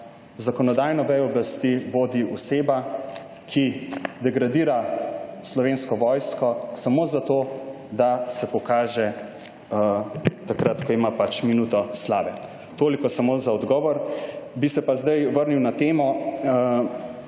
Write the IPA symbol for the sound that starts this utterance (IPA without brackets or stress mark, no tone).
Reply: z